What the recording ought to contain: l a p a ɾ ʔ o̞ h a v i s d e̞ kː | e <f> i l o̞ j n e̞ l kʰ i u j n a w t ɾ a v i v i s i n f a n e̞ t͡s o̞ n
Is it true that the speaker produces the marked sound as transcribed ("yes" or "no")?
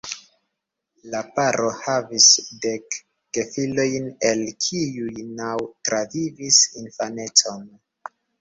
yes